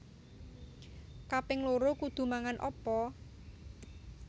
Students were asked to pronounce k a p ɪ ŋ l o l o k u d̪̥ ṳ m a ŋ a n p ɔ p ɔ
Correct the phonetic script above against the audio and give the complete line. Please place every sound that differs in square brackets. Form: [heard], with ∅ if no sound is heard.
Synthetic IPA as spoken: k a p ɪ ŋ l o [ɾ] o k u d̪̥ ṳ m a ŋ a n [ʔ] ɔ p ɔ